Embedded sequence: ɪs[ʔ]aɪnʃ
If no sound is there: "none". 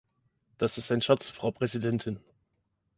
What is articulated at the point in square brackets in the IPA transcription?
t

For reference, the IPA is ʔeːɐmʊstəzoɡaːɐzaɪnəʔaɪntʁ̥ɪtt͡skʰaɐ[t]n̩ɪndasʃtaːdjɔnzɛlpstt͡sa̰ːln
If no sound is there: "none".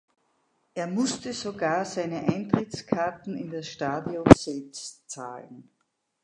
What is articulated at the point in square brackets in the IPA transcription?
t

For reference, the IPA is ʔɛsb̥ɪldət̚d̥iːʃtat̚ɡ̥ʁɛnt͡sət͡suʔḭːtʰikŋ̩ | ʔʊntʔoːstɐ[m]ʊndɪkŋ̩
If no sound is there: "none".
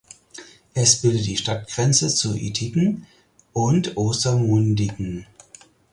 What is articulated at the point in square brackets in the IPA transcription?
m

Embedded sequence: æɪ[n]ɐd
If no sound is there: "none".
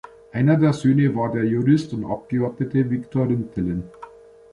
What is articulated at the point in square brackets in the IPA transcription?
n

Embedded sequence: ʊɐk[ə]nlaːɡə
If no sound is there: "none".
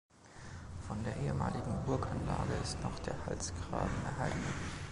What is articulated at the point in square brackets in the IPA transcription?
a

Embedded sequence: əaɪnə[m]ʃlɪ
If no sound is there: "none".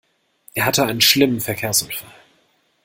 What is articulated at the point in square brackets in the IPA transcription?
n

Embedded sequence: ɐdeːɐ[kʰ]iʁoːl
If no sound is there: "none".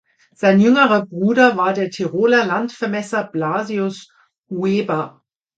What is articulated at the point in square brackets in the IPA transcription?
tʰ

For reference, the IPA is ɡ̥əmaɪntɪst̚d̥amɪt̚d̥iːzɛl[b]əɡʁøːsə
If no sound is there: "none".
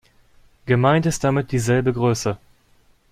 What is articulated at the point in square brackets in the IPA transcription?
b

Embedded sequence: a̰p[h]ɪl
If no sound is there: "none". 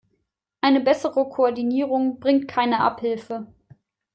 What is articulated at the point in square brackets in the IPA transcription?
h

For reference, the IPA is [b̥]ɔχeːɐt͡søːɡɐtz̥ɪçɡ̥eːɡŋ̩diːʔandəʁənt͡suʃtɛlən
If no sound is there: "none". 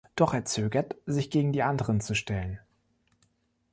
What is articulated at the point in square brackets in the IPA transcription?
d̥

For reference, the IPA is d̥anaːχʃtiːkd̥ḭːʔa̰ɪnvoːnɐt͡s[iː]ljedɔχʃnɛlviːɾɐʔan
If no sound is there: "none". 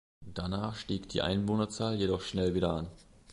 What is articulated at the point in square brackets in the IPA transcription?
aː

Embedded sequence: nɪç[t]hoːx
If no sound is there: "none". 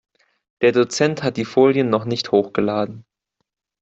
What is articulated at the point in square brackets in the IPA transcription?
t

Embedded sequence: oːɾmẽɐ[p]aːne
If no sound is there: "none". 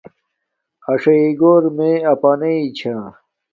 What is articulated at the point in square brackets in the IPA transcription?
p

